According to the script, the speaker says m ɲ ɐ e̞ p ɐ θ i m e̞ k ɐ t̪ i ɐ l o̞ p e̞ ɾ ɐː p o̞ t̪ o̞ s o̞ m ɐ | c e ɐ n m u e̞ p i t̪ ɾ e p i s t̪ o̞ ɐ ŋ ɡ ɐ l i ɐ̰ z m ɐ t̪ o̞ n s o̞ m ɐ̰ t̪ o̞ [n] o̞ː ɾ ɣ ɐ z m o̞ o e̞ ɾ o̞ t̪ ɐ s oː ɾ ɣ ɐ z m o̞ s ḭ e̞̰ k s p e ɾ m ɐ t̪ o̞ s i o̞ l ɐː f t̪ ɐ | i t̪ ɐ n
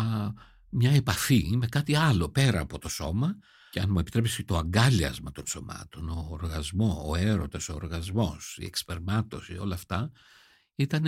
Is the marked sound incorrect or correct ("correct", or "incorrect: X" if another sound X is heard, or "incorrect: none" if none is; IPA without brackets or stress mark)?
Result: correct